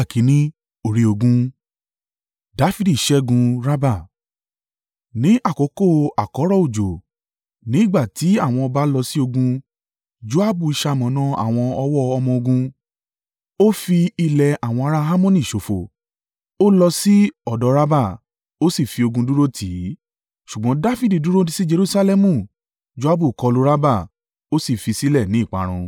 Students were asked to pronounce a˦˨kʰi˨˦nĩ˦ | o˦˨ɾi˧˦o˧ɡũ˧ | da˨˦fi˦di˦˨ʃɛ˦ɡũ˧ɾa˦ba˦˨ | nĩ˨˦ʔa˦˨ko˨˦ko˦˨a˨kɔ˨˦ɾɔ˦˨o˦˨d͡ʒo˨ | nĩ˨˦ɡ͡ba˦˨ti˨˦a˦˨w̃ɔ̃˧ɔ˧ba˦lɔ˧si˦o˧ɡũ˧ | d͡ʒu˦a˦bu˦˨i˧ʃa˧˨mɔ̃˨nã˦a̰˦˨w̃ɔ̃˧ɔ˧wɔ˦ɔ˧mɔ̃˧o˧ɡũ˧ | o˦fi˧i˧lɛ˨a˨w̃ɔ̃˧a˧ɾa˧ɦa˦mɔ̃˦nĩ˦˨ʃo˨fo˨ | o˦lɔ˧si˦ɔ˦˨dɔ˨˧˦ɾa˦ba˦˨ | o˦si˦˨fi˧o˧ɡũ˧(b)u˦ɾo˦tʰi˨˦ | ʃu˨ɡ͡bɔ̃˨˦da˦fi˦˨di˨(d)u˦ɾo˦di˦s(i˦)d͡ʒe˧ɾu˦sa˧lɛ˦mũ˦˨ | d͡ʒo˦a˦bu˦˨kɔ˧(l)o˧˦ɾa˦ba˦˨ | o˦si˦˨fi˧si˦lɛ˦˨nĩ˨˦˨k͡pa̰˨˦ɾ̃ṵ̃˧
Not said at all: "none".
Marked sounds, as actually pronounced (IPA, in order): d, d, i˦, l

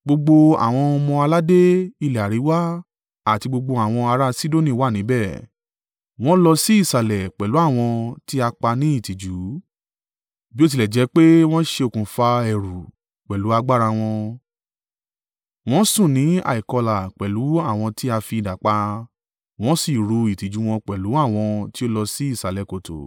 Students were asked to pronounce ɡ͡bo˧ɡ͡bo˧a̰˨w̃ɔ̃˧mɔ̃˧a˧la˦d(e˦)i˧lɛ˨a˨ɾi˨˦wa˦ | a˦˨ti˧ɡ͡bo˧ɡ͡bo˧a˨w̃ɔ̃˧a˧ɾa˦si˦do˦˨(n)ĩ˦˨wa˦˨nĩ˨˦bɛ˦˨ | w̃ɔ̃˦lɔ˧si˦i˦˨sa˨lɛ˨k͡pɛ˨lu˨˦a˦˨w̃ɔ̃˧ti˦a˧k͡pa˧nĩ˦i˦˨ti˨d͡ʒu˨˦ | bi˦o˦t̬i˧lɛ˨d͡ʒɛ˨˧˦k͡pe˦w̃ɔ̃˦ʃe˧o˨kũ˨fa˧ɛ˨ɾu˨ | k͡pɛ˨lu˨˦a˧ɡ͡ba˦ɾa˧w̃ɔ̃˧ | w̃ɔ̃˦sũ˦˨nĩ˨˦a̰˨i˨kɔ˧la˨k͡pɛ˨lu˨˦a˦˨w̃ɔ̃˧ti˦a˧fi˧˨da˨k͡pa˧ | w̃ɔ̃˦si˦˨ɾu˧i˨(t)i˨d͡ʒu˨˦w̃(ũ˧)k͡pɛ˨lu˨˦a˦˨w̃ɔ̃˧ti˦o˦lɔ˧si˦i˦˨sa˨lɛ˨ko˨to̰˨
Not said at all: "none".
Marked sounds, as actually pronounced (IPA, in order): e˦, n, t, ɔ̃˧

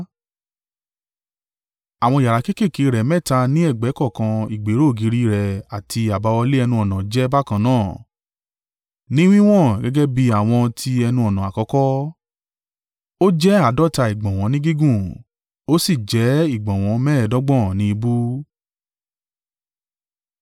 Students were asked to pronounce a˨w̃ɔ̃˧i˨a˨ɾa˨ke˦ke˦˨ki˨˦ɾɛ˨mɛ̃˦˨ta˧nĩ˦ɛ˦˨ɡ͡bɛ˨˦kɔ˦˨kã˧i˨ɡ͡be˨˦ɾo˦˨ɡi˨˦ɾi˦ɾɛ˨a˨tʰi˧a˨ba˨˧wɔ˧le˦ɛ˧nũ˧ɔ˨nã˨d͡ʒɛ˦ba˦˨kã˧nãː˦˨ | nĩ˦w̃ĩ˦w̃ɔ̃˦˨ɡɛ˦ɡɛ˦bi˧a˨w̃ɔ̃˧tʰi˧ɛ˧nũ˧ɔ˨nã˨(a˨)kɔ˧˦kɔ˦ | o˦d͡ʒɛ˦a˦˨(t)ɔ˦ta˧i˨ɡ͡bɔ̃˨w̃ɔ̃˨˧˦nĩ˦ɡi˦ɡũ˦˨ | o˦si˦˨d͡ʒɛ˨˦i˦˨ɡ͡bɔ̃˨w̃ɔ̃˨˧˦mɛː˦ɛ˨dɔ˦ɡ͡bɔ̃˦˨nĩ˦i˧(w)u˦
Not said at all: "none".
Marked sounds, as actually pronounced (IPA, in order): a˨, d, b

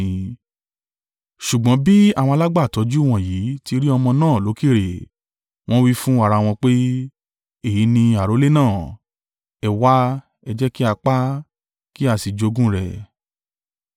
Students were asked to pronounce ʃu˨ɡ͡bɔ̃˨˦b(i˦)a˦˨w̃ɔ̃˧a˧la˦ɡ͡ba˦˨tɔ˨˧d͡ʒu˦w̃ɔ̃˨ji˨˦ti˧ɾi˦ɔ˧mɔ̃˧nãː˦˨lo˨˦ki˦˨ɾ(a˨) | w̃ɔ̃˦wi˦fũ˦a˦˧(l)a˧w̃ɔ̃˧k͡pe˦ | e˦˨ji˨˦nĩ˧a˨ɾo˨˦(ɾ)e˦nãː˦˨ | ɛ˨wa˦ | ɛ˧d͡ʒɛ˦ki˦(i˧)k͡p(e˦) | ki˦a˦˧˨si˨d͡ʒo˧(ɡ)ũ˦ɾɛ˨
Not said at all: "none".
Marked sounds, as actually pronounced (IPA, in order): i˦, e˨, ɾ, l, a˧, a˦, ɡ

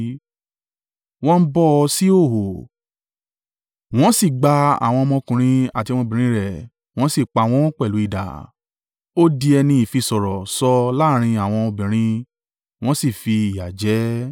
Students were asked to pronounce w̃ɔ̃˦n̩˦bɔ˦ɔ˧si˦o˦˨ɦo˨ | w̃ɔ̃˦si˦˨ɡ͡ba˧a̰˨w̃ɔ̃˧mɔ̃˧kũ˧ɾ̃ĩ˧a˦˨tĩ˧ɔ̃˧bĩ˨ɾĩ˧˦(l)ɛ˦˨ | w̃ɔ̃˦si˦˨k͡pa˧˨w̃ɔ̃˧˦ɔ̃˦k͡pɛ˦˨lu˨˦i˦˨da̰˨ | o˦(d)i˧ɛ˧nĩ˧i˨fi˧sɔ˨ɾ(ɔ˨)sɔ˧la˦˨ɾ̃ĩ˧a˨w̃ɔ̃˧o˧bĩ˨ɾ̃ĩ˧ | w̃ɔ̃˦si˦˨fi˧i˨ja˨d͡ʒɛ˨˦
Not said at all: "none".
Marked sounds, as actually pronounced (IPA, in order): ɾ, d, ɔ˨

